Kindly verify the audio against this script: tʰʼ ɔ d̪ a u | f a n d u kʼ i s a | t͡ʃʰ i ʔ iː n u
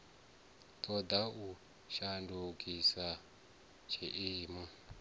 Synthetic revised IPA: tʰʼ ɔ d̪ a u | ʃ a n d u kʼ i s a | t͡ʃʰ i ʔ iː m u